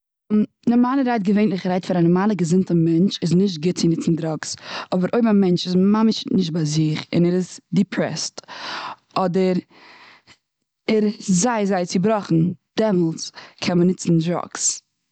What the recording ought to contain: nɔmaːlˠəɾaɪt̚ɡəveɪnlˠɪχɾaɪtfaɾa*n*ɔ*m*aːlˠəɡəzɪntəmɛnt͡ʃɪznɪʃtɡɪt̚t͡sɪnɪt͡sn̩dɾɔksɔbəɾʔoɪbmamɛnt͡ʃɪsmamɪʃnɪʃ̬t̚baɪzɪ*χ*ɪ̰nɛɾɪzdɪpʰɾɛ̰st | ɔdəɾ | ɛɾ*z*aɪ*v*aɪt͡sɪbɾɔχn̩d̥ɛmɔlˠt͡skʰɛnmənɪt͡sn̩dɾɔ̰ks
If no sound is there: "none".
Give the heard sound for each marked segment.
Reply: n, m, χ, z, z

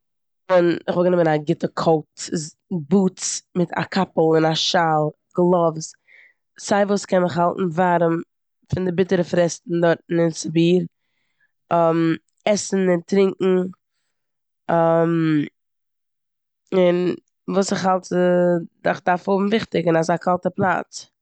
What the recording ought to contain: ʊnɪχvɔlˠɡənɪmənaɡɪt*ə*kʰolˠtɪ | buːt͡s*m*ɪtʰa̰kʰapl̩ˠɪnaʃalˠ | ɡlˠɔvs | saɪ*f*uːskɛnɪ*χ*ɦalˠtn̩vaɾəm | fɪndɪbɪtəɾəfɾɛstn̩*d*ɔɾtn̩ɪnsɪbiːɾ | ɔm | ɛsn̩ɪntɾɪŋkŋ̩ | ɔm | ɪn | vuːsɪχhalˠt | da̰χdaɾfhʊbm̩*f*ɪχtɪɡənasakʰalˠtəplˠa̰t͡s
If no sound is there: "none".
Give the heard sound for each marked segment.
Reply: ə, m, v, χ, d, v

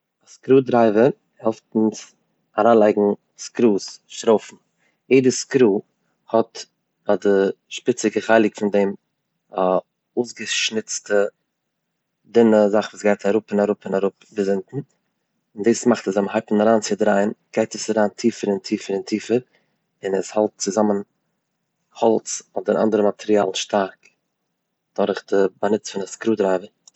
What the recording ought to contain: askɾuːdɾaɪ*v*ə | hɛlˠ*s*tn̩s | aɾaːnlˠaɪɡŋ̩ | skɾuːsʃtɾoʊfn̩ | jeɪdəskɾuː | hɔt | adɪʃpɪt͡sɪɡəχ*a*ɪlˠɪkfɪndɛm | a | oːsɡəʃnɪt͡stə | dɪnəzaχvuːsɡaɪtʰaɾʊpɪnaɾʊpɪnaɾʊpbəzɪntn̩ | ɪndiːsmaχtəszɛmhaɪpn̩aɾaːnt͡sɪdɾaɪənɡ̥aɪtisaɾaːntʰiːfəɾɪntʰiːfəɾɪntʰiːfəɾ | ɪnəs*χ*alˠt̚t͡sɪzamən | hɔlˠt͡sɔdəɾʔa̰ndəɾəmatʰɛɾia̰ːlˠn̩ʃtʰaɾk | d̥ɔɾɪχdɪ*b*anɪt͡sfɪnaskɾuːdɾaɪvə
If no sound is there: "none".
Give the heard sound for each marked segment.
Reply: v, f, a, h, b

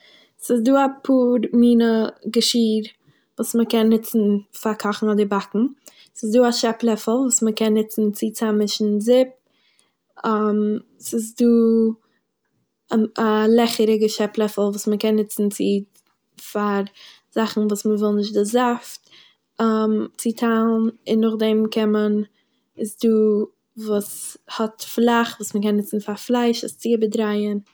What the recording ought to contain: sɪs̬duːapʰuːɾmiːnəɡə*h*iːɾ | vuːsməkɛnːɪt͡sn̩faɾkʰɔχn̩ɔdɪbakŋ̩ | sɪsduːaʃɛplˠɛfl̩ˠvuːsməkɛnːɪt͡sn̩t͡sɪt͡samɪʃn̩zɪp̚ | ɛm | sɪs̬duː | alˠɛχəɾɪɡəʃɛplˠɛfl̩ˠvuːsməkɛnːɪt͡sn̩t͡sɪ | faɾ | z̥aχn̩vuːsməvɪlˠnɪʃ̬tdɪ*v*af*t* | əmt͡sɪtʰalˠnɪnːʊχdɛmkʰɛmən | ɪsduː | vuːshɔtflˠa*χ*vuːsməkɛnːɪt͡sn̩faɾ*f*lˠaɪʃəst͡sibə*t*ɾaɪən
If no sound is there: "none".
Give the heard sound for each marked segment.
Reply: ʃ, z, t, χ, f, d

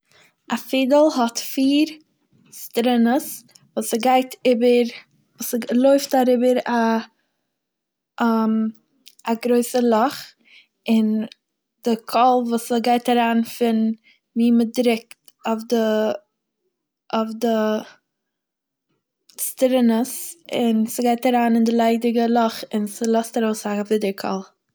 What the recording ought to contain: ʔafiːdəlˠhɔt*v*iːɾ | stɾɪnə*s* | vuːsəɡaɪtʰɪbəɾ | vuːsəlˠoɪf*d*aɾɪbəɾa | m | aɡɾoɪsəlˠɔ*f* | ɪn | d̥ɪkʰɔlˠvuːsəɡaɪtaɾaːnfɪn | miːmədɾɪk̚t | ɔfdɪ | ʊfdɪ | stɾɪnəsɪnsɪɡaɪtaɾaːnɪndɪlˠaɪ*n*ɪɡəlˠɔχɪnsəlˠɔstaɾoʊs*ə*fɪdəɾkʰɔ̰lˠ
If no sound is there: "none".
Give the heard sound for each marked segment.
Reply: f, s, t, χ, d, a

